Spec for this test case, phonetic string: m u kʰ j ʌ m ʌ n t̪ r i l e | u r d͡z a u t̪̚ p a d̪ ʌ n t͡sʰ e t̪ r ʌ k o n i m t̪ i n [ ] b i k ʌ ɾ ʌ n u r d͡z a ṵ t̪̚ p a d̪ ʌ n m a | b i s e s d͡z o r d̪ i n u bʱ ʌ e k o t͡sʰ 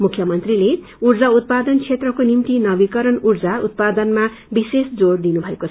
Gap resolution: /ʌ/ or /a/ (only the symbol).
ʌ